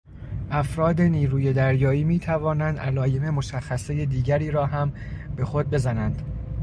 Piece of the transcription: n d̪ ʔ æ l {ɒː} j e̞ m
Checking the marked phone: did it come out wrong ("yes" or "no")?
no